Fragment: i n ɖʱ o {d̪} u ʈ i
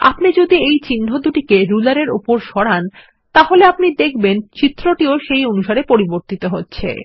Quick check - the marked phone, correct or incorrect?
correct